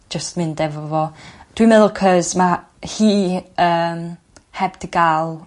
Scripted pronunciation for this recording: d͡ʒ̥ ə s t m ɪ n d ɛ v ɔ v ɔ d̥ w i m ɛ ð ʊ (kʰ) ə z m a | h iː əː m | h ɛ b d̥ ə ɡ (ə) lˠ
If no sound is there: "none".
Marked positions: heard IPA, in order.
kʰ, a

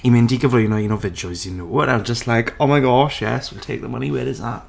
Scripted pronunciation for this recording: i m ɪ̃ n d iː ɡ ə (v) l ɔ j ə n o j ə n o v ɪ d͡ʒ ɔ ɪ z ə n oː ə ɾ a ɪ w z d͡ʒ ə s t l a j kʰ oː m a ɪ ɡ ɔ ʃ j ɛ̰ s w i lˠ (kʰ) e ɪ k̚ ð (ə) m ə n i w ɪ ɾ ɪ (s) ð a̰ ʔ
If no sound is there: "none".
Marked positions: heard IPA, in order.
v, tʰ, ə, z

